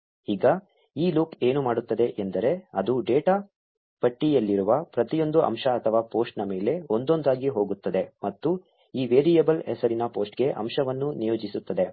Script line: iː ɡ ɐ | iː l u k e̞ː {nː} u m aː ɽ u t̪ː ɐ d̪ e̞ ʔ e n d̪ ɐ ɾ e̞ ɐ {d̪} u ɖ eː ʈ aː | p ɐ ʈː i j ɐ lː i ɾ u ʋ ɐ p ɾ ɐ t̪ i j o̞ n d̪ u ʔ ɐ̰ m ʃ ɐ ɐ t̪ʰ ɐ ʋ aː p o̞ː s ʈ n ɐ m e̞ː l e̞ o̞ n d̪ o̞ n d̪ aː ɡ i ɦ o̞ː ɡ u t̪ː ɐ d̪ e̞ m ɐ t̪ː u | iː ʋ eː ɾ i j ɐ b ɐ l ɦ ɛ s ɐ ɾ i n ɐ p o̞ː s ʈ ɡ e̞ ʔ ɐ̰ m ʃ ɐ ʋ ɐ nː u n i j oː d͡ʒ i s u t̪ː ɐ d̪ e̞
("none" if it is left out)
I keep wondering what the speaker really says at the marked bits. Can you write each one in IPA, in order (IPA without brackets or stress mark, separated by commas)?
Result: n, d̪